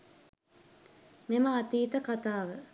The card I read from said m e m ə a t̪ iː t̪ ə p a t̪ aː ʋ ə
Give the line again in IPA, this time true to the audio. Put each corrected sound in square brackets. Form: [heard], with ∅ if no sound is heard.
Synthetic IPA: m e m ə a t̪ iː t̪ ə [k] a t̪ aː ʋ ə